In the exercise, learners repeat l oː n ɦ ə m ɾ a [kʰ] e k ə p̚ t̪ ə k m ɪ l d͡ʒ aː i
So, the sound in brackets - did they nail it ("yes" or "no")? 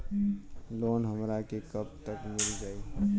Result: no